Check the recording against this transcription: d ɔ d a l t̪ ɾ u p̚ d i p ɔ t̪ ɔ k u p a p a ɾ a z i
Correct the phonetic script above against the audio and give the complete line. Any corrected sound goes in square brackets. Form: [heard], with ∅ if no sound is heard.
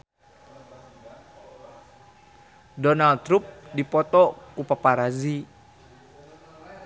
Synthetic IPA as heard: d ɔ [n] a l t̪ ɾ u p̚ d i p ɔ t̪ ɔ k u p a p a ɾ a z i